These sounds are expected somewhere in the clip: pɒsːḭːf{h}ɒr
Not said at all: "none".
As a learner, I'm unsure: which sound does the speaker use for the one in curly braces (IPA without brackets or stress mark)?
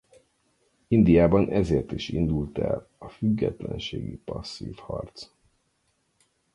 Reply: h